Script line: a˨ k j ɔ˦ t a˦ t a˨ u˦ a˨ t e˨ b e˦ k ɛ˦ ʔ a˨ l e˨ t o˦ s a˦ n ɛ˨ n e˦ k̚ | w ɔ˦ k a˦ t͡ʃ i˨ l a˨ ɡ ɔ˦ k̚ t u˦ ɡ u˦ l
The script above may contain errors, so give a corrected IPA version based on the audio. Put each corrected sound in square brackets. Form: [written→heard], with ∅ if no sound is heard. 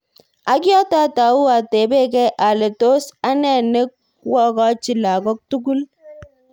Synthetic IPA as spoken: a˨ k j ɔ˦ t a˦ t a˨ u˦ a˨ t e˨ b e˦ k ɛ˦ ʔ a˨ l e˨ t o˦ s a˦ n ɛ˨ n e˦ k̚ | w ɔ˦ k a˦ t͡ʃ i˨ l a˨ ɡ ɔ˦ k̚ t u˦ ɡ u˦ l